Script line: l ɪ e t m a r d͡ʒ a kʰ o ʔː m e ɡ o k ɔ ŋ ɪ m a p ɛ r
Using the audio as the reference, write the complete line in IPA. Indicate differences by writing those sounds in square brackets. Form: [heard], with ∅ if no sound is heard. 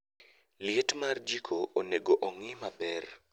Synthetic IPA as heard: l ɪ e t m a r d͡ʒ [i] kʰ o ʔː [n] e ɡ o [ʔ] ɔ ŋ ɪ m a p ɛ r